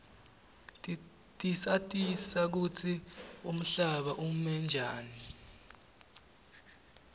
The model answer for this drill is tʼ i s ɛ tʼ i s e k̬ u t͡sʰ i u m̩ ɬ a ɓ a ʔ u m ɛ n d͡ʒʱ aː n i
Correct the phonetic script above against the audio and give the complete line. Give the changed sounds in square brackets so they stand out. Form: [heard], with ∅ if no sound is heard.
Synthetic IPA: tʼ i s [a] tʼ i s [a] k̬ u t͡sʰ i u m̩ ɬ a ɓ a ʔ u m ɛ n d͡ʒʱ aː n i